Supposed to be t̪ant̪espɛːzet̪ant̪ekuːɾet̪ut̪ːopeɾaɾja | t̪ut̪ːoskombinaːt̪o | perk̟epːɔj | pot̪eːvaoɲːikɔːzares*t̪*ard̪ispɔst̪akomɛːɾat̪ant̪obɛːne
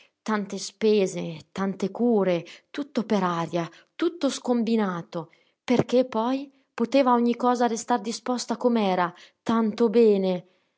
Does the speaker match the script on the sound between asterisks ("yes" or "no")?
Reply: yes